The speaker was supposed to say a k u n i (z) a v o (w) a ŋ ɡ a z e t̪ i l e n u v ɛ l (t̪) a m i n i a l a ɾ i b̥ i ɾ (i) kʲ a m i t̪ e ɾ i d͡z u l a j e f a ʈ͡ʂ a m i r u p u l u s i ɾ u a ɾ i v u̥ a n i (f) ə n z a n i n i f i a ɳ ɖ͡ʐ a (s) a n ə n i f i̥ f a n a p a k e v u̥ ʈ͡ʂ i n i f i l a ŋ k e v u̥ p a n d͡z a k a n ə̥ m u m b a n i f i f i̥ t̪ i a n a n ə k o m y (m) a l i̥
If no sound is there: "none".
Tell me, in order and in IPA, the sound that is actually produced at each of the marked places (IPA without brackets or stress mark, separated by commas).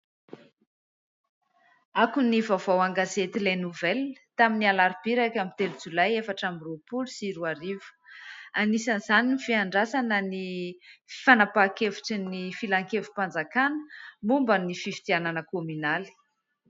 v, w, t̪, a, s, s, n